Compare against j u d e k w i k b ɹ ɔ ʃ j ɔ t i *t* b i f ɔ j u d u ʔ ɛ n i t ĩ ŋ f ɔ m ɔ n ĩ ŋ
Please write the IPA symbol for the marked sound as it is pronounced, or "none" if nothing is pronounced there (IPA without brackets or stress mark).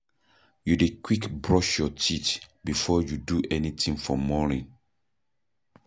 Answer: t